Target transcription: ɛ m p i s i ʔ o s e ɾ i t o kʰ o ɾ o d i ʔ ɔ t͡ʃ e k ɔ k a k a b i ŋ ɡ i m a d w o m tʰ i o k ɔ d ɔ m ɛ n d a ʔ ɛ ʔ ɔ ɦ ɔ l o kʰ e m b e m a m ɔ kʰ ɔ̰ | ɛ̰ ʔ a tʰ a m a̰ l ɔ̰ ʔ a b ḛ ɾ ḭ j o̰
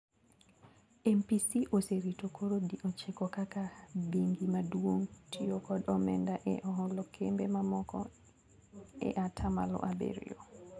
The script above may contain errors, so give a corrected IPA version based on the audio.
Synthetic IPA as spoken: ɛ m p i s i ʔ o s e ɾ i t o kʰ o ɾ o d i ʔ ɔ t͡ʃ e k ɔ k a k a b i ŋ ɡ i m a d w o ŋ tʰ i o k ɔ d ɔ m ɛ n d a ʔ ɛ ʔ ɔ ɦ ɔ l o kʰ e m b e m a m ɔ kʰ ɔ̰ | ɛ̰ ʔ a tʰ a m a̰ l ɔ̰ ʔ a b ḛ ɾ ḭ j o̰

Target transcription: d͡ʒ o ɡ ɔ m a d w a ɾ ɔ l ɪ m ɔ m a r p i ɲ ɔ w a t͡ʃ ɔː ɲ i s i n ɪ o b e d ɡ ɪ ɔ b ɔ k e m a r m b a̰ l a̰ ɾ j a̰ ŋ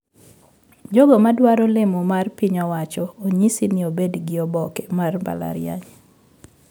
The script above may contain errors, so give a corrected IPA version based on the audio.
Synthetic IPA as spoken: d͡ʒ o ɡ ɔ m a d w a ɾ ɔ l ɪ m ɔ m a r p i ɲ ɔ w a t͡ʃ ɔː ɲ i s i n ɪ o b e d ɡ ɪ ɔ b ɔ k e m a r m b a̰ l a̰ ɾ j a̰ ɲ

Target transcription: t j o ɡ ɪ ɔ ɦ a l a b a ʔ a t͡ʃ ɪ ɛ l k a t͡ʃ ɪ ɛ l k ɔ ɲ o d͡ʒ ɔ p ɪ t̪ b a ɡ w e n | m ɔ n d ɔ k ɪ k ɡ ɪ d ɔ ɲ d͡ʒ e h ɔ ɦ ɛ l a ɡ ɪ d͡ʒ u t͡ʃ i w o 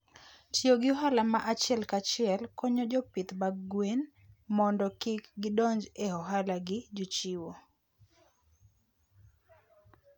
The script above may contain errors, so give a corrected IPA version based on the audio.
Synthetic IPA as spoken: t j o ɡ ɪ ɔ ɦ a l a m a ʔ a t͡ʃ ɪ ɛ l k a t͡ʃ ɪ ɛ l k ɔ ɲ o d͡ʒ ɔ p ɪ t̪ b a ɡ w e n | m ɔ n d ɔ k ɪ k ɡ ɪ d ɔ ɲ d͡ʒ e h ɔ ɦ a l a ɡ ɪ d͡ʒ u t͡ʃ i w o

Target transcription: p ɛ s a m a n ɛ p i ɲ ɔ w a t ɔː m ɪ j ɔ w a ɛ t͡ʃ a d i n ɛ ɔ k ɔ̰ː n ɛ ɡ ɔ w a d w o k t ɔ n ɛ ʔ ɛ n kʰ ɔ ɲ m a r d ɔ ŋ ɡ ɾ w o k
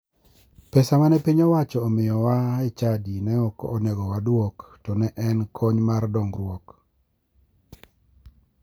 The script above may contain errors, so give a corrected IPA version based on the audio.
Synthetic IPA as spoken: p ɛ s a m a n ɛ p i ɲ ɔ w a t͡ʃ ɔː m ɪ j ɔ w a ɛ t͡ʃ a d i n ɛ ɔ k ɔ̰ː n ɛ ɡ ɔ w a d w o k t ɔ n ɛ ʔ ɛ n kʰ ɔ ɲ m a r d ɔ ŋ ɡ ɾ w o k

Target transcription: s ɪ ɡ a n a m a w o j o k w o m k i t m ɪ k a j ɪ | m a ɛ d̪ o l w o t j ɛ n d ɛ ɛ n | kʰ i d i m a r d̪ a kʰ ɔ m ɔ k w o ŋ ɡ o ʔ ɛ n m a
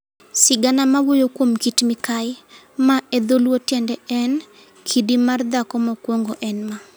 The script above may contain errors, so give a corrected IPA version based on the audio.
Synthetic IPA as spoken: s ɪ ɡ a n a m a w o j o k w o m k i t m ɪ k a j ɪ | m a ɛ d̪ o l w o t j ɛ n d ɛ ɛ n | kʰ i d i m a r d̪ a k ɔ m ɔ k w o ŋ ɡ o ʔ ɛ n m a

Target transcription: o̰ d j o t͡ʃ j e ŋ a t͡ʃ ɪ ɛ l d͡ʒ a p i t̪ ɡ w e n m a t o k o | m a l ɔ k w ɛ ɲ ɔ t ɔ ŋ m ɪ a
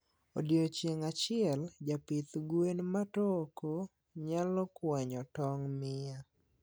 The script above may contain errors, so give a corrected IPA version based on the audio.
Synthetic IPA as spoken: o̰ d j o t͡ʃ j e ŋ a t͡ʃ ɪ ɛ l d͡ʒ a p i t̪ ɡ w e n m a t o k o | ɲ a l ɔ k w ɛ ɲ ɔ t ɔ ŋ m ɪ a

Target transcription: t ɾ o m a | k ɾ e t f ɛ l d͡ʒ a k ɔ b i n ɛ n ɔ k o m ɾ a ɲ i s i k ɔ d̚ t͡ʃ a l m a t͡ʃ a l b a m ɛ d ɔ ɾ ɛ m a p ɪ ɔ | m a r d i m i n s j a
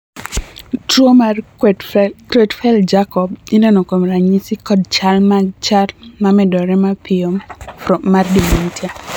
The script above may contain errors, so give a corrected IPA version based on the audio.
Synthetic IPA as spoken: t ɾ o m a | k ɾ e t f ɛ l d͡ʒ a k ɔ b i n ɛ n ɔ k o m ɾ a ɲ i s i k ɔ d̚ t͡ʃ a l m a t͡ʃ a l m a m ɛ d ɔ ɾ ɛ m a p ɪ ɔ | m a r d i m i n t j a

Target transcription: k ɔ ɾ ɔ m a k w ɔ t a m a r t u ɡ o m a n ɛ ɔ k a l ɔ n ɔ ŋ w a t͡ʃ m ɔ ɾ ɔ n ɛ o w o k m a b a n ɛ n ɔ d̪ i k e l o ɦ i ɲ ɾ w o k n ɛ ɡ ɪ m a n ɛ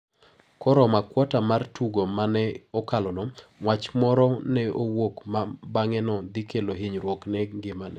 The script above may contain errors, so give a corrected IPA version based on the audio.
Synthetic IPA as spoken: k ɔ ɾ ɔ m a k w ɔ t a m a r t u ɡ o m a n ɛ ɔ k a l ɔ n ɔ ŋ w a t͡ʃ m ɔ ɾ ɔ n ɛ o w o k m a b a ŋ ɛ n ɔ d̪ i k e l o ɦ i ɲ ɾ w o k n ɛ ɡ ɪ m a n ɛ

